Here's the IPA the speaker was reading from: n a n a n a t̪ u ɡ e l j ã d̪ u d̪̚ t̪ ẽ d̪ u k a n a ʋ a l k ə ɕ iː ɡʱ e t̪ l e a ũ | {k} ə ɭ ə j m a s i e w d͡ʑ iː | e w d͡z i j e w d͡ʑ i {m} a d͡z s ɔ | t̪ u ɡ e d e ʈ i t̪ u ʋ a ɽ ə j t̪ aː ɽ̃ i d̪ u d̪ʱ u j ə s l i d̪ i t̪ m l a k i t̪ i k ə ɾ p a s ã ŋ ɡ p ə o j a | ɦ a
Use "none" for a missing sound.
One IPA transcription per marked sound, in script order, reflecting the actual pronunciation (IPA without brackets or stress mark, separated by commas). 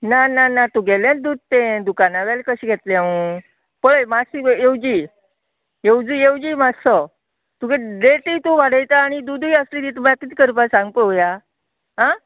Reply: p, m